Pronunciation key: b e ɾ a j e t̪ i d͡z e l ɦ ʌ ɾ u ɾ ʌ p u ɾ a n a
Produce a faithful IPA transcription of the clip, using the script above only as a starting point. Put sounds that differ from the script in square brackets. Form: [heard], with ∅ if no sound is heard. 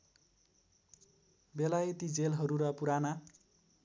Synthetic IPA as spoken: b e [l] a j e t̪ i d͡z e l ɦ ʌ ɾ u ɾ ʌ p u ɾ a n a